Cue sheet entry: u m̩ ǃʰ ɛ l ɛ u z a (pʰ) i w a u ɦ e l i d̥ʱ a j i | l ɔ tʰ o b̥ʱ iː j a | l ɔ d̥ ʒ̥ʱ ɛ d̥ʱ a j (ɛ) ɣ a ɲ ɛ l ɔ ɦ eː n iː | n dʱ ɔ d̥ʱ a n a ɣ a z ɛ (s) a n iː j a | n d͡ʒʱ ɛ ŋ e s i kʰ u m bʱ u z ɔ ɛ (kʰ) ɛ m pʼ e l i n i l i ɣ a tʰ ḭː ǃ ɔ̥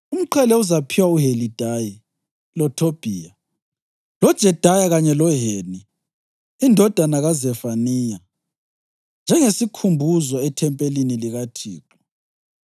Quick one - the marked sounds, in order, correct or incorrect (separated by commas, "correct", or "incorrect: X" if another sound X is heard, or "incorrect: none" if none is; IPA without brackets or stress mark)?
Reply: correct, incorrect: a, incorrect: f, incorrect: tʰ